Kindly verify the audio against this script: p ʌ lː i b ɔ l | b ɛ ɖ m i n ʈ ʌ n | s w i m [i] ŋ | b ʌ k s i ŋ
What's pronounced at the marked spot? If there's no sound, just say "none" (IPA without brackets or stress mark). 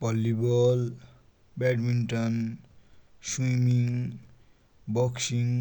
i